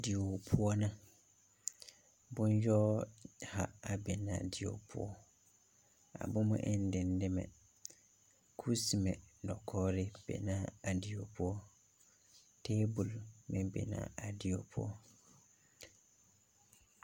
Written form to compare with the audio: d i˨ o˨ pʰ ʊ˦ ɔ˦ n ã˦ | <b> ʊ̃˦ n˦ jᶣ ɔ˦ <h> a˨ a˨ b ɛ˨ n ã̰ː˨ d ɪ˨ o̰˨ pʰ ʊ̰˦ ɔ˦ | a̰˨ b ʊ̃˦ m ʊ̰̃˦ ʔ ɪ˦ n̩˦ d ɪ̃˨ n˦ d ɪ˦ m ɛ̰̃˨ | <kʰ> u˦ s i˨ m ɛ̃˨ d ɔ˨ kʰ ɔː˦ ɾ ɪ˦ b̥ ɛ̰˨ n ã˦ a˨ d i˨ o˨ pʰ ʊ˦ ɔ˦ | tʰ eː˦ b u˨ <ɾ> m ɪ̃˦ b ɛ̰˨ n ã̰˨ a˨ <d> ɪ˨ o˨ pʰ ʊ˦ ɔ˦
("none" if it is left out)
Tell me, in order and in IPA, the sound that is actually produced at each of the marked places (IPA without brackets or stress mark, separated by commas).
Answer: b, h, kʰ, l, d